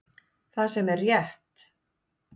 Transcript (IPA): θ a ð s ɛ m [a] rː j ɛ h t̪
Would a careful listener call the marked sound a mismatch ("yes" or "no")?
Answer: yes